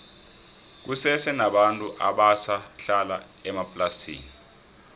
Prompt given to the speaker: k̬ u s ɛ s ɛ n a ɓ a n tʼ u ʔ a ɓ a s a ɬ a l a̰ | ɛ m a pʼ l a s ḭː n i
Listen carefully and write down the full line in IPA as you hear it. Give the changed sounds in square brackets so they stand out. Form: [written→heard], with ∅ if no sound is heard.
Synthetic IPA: k̬ u s ɛ s ɛ n a ɓ a n tʼ u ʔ a ɓ a s a ɬ a l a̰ | ɛ m a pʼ l a s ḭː n i